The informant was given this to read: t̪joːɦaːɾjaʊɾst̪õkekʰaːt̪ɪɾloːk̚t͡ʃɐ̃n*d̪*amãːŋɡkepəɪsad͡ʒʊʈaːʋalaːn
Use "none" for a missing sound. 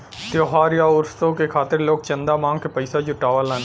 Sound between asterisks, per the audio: d̪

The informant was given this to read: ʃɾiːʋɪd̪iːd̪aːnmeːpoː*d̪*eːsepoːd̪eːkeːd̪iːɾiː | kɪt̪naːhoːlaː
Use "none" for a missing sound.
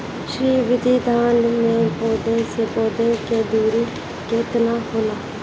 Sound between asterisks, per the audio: d̪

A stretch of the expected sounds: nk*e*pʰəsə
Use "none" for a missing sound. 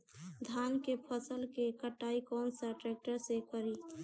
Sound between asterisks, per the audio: e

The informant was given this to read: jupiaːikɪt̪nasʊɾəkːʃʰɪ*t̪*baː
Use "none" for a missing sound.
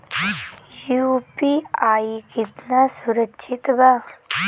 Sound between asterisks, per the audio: t̪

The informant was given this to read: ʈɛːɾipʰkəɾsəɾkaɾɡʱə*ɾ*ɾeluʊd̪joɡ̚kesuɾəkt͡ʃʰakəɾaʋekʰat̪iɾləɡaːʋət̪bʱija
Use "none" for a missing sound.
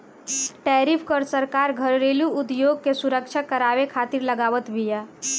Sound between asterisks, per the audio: ɾ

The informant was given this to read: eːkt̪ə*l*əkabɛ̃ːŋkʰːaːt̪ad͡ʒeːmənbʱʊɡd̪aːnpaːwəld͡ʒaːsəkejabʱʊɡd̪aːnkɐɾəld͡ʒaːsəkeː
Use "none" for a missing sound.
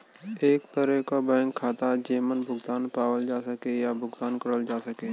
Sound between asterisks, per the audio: ɾ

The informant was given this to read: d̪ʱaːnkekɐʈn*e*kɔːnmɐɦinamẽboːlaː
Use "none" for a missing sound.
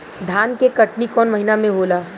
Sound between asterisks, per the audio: i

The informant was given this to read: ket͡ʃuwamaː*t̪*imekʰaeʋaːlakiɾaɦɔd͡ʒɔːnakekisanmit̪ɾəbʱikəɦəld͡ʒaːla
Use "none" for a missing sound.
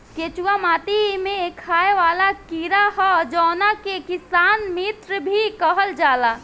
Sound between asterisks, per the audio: t̪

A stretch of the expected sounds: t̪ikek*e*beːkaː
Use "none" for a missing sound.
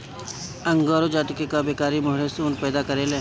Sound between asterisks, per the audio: a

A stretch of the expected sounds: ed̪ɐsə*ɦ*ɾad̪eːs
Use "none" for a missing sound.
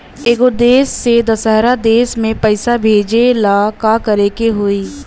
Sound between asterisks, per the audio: ɦ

